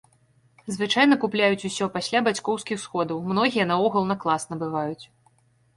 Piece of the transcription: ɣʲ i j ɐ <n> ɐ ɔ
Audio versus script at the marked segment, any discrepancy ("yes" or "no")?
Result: no